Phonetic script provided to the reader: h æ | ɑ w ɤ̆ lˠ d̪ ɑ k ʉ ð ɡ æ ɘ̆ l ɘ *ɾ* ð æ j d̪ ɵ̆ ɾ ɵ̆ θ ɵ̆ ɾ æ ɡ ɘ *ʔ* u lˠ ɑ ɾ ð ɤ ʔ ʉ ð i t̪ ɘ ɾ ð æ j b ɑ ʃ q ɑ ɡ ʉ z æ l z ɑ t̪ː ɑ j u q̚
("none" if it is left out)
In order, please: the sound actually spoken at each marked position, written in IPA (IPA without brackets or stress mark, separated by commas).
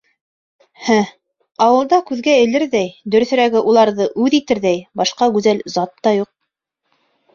ɾ, ʔ